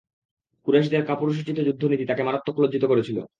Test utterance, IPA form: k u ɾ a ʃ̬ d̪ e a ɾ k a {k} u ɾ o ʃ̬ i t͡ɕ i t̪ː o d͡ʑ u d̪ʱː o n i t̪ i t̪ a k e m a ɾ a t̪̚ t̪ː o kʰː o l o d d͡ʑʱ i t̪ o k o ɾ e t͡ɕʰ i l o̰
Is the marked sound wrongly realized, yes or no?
yes